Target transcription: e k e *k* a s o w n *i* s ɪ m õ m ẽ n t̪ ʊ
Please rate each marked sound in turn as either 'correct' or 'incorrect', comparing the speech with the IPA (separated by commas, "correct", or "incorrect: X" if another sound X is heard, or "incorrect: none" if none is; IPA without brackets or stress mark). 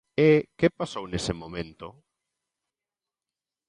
incorrect: p, incorrect: e